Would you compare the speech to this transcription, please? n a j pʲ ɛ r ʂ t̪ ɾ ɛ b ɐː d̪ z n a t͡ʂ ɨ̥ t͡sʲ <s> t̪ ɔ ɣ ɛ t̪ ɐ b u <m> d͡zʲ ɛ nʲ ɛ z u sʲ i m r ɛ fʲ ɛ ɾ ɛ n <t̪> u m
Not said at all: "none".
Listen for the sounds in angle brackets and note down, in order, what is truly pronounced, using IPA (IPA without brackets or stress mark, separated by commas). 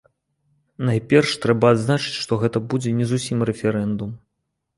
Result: ʂ, none, d̪